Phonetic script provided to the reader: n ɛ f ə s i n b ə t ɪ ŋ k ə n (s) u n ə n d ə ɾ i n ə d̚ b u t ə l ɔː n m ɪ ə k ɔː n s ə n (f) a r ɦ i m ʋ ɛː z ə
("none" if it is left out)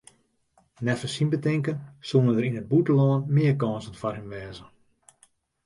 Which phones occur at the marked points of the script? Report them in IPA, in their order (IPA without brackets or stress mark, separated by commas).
s, f